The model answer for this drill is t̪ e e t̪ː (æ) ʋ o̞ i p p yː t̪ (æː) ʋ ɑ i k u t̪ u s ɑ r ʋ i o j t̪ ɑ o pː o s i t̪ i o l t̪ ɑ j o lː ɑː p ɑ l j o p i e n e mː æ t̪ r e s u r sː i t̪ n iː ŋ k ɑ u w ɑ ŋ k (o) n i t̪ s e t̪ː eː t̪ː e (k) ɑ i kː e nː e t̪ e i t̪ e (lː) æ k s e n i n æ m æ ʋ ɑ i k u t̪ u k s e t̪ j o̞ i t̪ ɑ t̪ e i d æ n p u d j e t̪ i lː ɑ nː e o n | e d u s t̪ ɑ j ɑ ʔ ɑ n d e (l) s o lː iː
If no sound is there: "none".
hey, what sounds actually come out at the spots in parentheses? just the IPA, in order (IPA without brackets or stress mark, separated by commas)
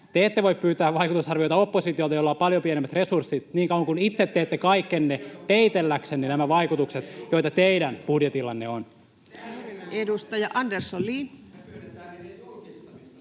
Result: e, æː, u, k, lː, r